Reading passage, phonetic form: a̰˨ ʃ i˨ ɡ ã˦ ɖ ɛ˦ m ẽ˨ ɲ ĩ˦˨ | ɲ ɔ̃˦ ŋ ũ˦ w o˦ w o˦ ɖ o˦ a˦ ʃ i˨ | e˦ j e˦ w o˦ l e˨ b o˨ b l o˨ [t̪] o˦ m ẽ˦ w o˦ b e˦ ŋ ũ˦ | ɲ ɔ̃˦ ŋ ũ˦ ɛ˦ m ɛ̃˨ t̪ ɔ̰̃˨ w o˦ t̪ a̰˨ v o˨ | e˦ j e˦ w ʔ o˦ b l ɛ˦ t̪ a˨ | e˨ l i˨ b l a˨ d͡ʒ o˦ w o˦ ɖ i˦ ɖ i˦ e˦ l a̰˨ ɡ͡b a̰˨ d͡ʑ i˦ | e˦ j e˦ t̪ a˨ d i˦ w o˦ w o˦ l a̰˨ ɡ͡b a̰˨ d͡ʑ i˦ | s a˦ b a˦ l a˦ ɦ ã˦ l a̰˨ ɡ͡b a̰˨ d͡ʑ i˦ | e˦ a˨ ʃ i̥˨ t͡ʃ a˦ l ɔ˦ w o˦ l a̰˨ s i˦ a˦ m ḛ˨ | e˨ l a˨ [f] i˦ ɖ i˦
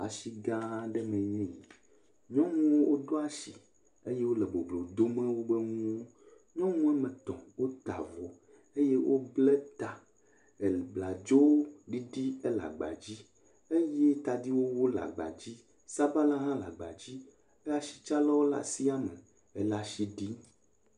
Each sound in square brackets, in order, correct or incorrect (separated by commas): incorrect, incorrect